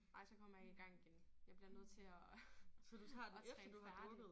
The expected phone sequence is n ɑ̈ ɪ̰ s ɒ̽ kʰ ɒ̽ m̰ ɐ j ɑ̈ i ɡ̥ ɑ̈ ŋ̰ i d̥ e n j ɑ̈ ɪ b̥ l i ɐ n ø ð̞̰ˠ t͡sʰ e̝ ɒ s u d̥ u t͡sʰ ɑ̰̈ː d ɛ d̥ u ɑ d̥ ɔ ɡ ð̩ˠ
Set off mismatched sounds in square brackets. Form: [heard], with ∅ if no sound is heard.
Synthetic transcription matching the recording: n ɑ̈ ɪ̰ s ɒ̽ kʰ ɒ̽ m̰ ɐ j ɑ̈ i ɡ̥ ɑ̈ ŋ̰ i [ɡ̥] e n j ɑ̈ ɪ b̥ l i ɐ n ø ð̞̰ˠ t͡sʰ e̝ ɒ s [ɒ] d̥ u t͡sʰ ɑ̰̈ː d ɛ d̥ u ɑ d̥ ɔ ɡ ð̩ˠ